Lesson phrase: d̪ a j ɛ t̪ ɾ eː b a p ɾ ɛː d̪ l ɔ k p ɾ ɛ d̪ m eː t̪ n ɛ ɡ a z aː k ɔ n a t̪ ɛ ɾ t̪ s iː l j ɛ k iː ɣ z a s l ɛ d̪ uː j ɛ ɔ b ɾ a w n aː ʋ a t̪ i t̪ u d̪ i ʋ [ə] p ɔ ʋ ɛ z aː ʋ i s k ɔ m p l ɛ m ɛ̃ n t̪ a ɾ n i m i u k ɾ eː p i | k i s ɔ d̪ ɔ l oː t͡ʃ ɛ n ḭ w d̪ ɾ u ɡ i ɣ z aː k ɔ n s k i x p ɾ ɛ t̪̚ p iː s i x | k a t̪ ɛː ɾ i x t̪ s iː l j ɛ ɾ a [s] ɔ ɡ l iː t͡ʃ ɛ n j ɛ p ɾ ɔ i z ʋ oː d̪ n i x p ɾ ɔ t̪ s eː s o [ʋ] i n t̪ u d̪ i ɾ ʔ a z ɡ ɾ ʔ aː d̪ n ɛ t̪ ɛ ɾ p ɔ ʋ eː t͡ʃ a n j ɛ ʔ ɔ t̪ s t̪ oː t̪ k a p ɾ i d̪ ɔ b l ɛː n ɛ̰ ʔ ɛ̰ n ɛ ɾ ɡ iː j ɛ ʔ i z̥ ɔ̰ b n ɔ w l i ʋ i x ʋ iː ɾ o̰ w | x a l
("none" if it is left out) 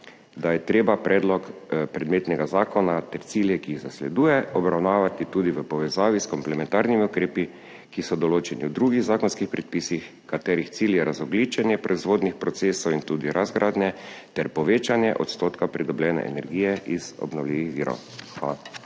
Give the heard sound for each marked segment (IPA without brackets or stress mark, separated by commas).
ə, z, w